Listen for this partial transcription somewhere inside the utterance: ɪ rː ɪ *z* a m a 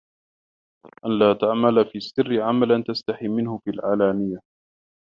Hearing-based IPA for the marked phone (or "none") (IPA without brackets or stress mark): ʕ